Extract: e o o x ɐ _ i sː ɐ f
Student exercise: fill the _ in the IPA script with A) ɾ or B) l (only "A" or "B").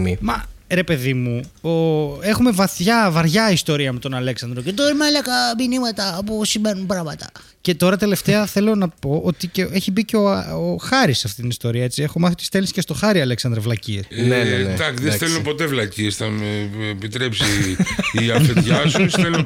A